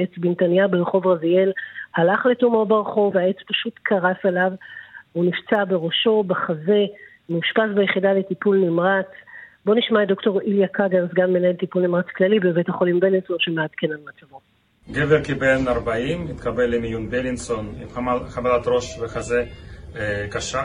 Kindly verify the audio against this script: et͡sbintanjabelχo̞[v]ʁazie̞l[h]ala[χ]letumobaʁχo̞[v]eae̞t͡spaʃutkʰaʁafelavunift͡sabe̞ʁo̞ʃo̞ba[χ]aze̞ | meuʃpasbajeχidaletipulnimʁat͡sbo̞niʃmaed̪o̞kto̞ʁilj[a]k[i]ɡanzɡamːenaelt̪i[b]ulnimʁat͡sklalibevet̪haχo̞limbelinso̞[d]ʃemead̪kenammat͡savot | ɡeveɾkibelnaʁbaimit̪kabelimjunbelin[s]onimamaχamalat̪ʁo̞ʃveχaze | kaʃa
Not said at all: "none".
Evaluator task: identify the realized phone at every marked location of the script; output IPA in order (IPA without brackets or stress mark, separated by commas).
v, h, χ, v, χ, a, a, p, n, s